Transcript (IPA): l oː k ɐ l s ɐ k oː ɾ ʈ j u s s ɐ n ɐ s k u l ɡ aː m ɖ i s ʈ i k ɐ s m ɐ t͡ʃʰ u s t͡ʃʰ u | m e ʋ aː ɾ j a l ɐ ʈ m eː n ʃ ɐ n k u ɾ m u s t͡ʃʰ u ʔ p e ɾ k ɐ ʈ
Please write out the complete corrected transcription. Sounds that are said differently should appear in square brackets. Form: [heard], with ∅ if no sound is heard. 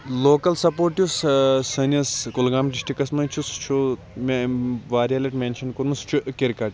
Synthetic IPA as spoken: l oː k ɐ l s ɐ [p] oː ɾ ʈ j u s s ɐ n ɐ s k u l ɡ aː m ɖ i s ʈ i k ɐ s m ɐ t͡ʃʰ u s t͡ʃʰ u | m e ʋ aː ɾ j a l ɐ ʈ m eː n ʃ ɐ n k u ɾ m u s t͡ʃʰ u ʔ [k] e ɾ k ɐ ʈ